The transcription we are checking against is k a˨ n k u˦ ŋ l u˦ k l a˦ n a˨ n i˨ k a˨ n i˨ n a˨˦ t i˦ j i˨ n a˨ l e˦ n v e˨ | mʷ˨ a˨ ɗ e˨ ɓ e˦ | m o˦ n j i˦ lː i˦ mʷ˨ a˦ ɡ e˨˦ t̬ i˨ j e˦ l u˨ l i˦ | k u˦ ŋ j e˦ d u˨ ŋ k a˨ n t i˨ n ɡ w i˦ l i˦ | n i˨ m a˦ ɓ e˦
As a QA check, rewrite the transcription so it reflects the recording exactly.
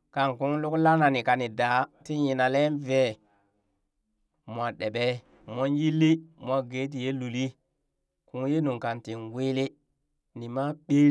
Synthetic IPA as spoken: k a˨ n k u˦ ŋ l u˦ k l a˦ n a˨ n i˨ k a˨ n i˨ d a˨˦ t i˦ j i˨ n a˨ l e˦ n v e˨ | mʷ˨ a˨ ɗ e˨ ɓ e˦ | m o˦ n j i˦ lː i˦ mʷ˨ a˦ ɡ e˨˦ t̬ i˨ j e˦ l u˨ l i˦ | k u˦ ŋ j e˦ n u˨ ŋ k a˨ n t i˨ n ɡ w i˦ l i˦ | n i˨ m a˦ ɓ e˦